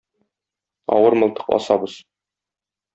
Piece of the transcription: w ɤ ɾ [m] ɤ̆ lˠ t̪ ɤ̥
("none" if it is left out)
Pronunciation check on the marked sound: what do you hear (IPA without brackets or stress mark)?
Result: m